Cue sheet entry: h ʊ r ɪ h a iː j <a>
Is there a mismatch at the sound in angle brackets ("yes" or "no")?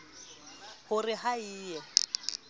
yes